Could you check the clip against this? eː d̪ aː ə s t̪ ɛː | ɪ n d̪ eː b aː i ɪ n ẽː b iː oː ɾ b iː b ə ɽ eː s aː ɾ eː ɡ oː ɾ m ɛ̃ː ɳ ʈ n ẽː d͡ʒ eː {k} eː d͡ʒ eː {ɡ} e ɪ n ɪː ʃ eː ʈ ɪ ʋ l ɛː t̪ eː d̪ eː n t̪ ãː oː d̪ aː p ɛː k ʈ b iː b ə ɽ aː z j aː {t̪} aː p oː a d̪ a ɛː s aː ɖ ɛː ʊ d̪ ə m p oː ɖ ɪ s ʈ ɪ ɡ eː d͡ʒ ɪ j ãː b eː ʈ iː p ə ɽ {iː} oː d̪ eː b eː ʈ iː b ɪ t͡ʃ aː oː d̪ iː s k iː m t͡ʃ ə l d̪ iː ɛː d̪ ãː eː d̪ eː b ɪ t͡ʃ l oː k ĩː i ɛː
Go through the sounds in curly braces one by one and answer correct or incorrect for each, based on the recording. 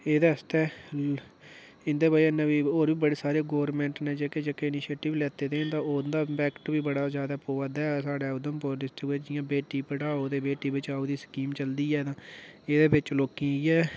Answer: correct, incorrect, incorrect, incorrect

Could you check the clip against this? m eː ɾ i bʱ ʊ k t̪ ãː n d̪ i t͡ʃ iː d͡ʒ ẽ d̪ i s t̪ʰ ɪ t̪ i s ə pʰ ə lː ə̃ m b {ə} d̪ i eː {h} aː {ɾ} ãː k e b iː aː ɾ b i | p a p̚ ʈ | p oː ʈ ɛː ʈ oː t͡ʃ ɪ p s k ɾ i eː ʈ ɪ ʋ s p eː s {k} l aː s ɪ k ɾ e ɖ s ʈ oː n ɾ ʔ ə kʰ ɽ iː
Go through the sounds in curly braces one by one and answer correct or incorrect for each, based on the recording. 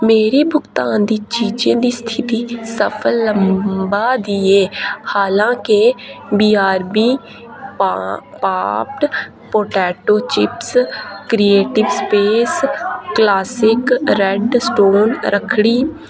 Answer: incorrect, correct, incorrect, correct

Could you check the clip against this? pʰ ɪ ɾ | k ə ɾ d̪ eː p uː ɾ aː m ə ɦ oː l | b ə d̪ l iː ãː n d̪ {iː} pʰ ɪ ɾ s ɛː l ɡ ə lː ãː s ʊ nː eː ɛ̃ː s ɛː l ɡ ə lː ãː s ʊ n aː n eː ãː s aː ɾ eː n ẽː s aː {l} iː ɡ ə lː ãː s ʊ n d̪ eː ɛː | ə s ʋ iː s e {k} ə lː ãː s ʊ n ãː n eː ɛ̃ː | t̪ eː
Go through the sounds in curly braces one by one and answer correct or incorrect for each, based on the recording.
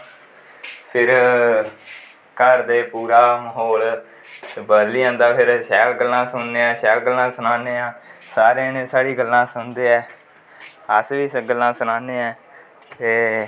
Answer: incorrect, incorrect, incorrect

